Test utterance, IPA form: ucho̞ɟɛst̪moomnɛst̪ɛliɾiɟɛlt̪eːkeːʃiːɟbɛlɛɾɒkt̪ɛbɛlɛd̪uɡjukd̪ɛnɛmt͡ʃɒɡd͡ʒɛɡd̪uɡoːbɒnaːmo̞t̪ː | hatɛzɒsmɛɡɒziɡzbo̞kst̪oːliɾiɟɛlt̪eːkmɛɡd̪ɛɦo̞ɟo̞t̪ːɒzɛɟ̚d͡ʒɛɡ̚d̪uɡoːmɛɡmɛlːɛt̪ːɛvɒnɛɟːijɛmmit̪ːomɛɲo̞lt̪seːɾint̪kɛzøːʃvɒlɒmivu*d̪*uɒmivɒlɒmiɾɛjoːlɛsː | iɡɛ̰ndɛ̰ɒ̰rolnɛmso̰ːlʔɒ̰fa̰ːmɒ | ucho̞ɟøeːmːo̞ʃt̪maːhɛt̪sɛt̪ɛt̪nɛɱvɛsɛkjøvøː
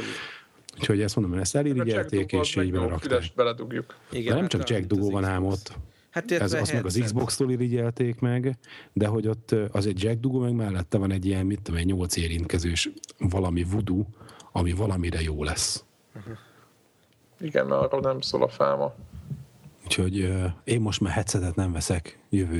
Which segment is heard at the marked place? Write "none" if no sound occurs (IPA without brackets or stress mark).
d̪